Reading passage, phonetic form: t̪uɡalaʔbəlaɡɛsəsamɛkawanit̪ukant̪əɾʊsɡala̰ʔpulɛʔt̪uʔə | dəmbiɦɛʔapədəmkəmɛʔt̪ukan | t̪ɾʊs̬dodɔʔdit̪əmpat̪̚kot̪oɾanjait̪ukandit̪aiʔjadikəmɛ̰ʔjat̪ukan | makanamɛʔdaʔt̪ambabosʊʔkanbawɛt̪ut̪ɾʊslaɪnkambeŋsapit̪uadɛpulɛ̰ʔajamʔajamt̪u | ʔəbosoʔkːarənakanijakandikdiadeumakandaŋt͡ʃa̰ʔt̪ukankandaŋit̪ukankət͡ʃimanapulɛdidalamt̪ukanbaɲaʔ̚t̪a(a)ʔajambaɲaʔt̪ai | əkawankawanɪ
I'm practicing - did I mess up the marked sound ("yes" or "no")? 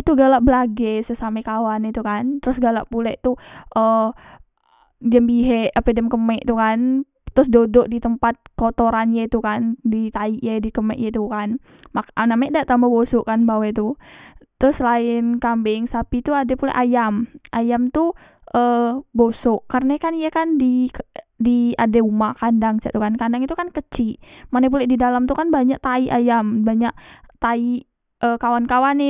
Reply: yes